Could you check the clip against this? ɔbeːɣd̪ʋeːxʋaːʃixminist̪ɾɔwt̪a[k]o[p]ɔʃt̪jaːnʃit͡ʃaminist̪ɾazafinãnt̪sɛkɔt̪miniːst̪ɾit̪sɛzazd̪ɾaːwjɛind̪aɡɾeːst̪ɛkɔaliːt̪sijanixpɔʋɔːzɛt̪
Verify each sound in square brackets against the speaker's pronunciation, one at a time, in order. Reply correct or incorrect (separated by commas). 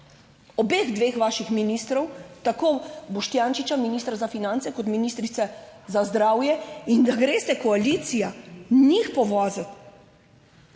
correct, incorrect